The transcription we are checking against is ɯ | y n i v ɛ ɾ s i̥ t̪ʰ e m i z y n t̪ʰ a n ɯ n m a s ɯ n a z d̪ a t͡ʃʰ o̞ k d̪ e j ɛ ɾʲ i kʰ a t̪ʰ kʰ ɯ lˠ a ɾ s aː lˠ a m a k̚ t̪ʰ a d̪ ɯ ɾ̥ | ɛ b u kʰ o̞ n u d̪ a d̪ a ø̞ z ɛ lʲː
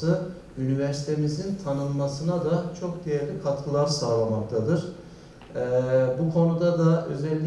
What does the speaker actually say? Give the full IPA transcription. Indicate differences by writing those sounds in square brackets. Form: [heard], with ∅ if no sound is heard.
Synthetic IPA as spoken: ɯ | y n i v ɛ ɾ s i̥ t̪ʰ e m i z [i] n t̪ʰ a n ɯ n m a s ɯ n a [∅] d̪ a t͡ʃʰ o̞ k d̪ e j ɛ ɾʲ i kʰ a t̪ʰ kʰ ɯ lˠ a ɾ s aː lˠ a m a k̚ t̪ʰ a d̪ ɯ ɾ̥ | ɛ b u kʰ o̞ n u d̪ a d̪ a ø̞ z ɛ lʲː